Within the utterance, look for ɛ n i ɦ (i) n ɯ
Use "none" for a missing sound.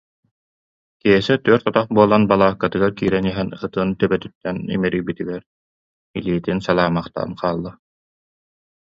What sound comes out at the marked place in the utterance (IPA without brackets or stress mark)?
ɛ